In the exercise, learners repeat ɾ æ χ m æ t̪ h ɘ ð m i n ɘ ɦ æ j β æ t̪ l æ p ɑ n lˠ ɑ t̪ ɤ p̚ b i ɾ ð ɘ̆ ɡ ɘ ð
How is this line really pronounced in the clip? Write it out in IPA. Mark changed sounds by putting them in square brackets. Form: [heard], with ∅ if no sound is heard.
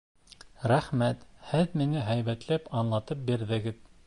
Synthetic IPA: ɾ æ χ m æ t̪ h ɘ ð m i n ɘ ɦ æ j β æ t̪ l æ p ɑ n lˠ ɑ t̪ ɤ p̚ b i ɾ ð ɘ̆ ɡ ɘ ð